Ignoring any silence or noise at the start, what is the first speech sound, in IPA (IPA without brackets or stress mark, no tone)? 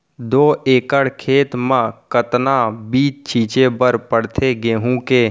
d̪